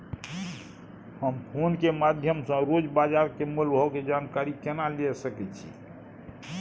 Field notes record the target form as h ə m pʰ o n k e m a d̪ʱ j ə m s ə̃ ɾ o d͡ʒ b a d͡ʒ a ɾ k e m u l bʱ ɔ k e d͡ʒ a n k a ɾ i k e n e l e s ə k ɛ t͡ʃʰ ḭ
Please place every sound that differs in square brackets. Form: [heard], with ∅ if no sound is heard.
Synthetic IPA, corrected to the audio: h ə m pʰ o n k e m a d̪ʱ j ə m s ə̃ ɾ o d͡ʒ b a d͡ʒ a ɾ k e m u l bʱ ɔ k e d͡ʒ a n k a ɾ i k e n [a] l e s ə k ɛ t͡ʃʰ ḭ